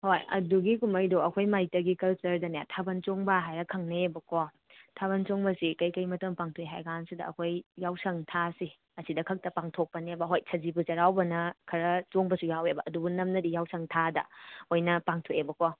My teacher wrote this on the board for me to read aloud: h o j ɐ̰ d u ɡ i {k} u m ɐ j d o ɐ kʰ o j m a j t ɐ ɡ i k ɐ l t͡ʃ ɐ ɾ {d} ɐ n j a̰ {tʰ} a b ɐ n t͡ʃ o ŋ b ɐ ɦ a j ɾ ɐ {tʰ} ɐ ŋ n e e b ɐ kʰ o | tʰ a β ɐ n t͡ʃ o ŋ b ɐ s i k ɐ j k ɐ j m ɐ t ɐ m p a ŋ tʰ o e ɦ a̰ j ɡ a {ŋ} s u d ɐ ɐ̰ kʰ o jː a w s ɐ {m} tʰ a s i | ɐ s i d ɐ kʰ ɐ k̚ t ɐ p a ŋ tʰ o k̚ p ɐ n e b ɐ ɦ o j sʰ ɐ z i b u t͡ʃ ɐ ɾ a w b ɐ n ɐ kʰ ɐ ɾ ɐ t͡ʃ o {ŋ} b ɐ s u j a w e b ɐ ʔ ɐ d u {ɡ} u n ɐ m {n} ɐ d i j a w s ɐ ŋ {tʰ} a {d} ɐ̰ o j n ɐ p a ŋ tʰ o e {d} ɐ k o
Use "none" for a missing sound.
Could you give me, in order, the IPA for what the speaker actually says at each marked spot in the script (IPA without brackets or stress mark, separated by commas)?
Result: k, d, tʰ, kʰ, n, ŋ, ŋ, b, n, tʰ, d, b